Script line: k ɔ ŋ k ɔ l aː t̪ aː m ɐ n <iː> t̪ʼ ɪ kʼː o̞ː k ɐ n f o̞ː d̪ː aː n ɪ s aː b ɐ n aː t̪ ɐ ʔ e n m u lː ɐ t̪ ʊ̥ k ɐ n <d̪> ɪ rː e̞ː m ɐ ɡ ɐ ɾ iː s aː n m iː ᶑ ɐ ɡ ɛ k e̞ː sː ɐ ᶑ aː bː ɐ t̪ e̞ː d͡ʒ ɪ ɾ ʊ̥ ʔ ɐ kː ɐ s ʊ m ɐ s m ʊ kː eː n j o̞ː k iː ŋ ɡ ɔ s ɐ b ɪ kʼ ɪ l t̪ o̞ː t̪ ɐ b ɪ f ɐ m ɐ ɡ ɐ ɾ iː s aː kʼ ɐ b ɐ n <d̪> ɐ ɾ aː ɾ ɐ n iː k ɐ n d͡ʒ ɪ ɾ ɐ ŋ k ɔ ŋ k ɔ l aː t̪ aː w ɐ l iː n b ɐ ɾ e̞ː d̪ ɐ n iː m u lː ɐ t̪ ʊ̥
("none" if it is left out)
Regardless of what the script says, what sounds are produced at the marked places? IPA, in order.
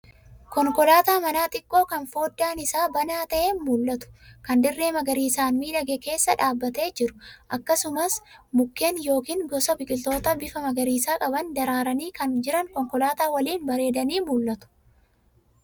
aː, d̪, d̪

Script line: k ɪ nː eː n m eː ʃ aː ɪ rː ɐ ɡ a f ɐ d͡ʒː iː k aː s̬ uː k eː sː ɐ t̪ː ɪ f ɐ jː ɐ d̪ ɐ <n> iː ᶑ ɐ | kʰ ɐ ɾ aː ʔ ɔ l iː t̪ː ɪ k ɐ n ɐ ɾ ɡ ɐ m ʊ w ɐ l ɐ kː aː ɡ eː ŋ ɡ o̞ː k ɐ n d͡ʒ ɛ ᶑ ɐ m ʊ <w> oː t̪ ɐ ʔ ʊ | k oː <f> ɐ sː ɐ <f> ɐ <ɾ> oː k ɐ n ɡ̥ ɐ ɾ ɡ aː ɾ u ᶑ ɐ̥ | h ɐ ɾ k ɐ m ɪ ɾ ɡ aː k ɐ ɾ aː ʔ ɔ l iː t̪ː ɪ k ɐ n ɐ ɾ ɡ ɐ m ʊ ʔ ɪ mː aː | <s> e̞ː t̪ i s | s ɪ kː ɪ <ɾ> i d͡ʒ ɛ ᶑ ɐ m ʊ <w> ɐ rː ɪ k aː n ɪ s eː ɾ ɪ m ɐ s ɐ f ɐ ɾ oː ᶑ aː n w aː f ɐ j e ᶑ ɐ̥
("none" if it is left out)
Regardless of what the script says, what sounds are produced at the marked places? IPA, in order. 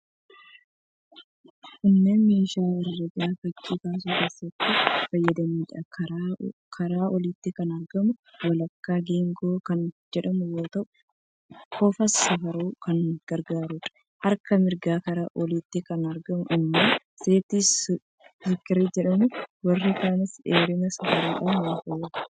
m, w, f, f, ɾ, s, ɾ, w

